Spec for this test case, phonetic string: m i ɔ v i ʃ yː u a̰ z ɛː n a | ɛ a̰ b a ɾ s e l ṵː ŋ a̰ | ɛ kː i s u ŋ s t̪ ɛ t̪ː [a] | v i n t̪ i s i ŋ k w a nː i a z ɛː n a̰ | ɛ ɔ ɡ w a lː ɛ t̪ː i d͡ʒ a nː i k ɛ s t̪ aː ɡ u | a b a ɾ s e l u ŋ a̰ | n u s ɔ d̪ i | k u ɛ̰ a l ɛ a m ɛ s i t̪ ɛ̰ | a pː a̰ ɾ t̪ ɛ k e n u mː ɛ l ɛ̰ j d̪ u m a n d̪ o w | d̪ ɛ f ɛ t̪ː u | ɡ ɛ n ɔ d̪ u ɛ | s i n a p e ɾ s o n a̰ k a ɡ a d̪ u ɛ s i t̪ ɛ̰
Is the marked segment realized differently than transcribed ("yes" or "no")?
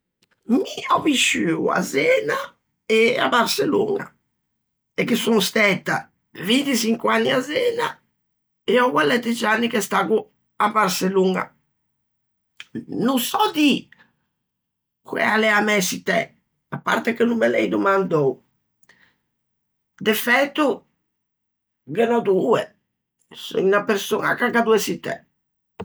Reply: no